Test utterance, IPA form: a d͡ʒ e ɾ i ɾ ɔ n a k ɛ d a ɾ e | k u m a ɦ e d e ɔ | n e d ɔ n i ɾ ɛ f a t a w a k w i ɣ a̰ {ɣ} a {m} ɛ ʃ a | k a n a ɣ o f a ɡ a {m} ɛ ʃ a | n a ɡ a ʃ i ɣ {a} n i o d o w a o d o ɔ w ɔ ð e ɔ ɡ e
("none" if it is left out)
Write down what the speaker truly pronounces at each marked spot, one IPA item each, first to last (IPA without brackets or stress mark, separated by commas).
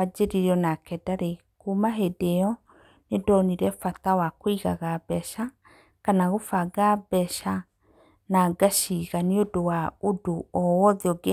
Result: ɣ, b, b, a